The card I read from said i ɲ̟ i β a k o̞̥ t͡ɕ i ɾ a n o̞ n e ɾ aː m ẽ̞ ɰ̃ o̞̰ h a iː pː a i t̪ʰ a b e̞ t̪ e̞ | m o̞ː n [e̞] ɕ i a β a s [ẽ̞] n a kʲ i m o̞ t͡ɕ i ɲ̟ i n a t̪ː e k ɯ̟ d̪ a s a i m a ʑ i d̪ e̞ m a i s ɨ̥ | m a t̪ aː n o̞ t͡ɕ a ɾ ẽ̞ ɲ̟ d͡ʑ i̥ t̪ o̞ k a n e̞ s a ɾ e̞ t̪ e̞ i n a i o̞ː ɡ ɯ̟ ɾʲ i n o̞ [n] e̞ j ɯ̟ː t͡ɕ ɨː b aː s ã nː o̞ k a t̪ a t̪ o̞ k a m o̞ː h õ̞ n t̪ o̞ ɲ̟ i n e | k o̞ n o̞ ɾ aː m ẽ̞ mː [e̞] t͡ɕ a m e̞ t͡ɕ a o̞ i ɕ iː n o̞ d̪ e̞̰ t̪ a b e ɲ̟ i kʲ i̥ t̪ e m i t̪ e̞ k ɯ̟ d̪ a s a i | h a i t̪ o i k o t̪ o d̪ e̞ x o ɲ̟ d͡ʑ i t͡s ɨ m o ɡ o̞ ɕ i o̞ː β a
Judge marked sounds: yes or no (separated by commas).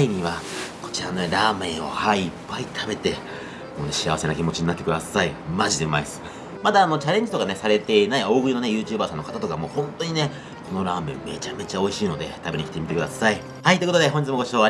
yes, no, yes, yes